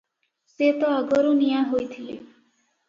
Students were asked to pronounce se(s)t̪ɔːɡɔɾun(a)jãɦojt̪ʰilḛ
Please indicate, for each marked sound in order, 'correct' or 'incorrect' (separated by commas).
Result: incorrect, incorrect